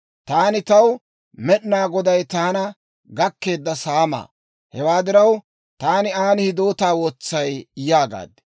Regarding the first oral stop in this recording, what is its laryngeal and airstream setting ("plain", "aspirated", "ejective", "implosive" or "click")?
plain